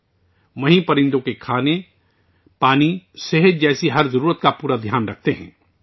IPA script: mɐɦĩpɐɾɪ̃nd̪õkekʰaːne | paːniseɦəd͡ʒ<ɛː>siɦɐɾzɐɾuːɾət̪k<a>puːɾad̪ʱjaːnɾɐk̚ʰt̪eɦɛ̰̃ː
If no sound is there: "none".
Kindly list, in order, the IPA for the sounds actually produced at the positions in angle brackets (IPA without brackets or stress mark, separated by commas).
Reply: ɛː, a